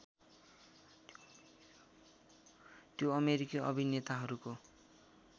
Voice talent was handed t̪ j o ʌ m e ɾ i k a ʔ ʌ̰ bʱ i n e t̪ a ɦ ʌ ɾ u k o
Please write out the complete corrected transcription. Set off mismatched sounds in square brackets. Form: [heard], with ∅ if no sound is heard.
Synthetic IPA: t̪ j o ʌ m e ɾ i k [i] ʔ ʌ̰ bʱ i n e t̪ a ɦ ʌ ɾ u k o

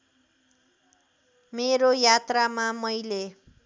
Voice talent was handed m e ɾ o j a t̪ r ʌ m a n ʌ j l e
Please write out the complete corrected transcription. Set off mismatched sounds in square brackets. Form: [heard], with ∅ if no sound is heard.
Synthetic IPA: m e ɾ o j a t̪ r [a] m a [m] ʌ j l e

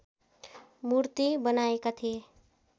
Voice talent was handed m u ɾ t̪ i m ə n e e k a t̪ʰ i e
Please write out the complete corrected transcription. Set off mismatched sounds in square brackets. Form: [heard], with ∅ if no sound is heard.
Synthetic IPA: m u ɾ t̪ i [b] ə n [a] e k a t̪ʰ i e

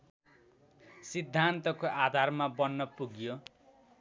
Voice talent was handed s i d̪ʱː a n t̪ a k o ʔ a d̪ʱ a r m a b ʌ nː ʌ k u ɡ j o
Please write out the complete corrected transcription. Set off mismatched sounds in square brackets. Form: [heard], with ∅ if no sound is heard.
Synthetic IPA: s i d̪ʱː a n t̪ [ʌ] k o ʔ a d̪ʱ a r m a b ʌ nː ʌ [p] u ɡ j o

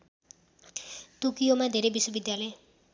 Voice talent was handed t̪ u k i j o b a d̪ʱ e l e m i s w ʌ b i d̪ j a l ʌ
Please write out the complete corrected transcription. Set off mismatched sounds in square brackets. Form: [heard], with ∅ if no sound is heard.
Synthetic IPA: t̪ u k i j o [m] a d̪ʱ e [ɾ] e [b] i s w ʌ b i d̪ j a l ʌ

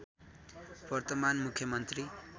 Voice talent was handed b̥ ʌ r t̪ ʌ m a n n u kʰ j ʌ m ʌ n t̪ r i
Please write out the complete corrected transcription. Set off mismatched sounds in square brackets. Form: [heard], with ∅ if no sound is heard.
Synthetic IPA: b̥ ʌ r t̪ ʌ m a n [m] u kʰ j ʌ m ʌ n t̪ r i

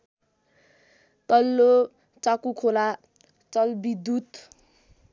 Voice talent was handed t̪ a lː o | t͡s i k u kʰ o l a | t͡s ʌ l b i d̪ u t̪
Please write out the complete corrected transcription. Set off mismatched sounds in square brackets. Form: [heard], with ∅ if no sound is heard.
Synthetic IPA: t̪ [ʌ] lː o | t͡s [a] k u kʰ o l a | t͡s ʌ l b i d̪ u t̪

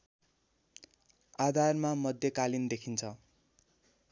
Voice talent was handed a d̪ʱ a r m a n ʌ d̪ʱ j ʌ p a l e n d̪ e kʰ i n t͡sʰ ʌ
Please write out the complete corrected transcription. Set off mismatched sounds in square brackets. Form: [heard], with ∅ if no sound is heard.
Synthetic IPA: a d̪ʱ a r m a [m] ʌ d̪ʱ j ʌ [k] a l [i] n d̪ e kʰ i n t͡sʰ ʌ

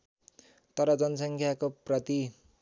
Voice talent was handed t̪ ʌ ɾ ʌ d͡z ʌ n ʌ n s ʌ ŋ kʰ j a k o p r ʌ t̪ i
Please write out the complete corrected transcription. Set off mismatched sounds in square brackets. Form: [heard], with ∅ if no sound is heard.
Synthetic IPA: t̪ ʌ ɾ ʌ d͡z ʌ n ʌ [∅] s ʌ ŋ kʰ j a k o p r ʌ t̪ i

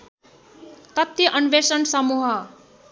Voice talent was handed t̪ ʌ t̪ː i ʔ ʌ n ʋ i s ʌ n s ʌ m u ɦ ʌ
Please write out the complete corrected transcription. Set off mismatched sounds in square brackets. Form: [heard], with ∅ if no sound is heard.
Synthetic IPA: t̪ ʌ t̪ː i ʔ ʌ n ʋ [e] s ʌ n s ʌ m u ɦ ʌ

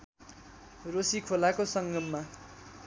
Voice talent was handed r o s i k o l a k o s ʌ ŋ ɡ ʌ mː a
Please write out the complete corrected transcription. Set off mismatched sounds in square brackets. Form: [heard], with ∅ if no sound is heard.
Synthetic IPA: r o s i [kʰ] o l a k o s ʌ ŋ ɡ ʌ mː a

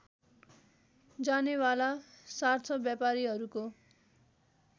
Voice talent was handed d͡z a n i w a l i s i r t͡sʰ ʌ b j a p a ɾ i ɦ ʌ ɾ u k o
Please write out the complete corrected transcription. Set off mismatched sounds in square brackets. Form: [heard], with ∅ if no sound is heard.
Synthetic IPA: d͡z a n [e] w a l [a] s [a] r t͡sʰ ʌ b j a p a ɾ i ɦ ʌ ɾ u k o

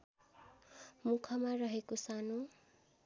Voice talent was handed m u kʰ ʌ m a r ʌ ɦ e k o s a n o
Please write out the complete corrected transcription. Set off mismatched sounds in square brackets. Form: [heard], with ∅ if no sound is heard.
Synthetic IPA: m u kʰ ʌ m a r ʌ ɦ e k o s a n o

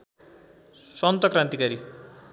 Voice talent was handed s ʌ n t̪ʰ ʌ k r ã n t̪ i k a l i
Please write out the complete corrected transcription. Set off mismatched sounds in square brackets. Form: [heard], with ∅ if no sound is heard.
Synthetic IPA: s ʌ n [t̪] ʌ k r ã n t̪ i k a [ɾ] i

